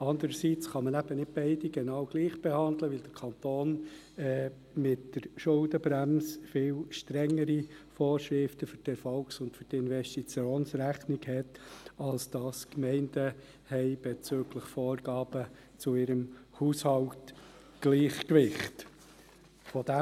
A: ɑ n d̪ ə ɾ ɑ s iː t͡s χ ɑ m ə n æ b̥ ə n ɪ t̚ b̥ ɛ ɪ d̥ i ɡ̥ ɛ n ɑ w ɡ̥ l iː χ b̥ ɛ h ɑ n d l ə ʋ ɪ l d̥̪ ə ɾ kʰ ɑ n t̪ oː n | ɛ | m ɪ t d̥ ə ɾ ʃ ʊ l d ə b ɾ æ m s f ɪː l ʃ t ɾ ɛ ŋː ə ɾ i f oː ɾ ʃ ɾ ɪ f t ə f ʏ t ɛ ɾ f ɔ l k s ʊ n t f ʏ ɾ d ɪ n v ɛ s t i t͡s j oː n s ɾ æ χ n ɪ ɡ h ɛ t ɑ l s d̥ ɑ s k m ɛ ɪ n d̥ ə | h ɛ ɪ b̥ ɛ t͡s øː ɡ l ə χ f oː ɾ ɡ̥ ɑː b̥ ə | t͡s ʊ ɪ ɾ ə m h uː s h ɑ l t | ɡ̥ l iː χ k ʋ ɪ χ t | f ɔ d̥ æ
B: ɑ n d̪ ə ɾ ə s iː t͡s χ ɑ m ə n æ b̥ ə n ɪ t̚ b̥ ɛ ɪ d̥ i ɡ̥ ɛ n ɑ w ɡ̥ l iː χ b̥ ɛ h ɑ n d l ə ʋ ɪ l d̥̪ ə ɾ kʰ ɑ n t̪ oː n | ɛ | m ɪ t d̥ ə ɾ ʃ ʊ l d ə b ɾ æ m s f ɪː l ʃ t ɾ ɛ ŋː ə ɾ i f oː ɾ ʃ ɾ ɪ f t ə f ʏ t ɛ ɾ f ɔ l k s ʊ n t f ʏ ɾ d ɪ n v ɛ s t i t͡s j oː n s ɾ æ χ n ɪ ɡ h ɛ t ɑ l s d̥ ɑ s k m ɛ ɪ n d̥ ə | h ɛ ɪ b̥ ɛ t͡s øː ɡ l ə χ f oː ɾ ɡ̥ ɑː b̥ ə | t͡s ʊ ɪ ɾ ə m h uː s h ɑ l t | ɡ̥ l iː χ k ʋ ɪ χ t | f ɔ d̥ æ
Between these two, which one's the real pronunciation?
B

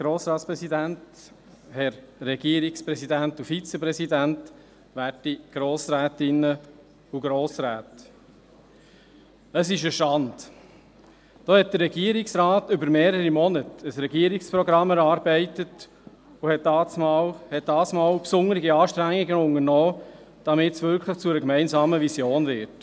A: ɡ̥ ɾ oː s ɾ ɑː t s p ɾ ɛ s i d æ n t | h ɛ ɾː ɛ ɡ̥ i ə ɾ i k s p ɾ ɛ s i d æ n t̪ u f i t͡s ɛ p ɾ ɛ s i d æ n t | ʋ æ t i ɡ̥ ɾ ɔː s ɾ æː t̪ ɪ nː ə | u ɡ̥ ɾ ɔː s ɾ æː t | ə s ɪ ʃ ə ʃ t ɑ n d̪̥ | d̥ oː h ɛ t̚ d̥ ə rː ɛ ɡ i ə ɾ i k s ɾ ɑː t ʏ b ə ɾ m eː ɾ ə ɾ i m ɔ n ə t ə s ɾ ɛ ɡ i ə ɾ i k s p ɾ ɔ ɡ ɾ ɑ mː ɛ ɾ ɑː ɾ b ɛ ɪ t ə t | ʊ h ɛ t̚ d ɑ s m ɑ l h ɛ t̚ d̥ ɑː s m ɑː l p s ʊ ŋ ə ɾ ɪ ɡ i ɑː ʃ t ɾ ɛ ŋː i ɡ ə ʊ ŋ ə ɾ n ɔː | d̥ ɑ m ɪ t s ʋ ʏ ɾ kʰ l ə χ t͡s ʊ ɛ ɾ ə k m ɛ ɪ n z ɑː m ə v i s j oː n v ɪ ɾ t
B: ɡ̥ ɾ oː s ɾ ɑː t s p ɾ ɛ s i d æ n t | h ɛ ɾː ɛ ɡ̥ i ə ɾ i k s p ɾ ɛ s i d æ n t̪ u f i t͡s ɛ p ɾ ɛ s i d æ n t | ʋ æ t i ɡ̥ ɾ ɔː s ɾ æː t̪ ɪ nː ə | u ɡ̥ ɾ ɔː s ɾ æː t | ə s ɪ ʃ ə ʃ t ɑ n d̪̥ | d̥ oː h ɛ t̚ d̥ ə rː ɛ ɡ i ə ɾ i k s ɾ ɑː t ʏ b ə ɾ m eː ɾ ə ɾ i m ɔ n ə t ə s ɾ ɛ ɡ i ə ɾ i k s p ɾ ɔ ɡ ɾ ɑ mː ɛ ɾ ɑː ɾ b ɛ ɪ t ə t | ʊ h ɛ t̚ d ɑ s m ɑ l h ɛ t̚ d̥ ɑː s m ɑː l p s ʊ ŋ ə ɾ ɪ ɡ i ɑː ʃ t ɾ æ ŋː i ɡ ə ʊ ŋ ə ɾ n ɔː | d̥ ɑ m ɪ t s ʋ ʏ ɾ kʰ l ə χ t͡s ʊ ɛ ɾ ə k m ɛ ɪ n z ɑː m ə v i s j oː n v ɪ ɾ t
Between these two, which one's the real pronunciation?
B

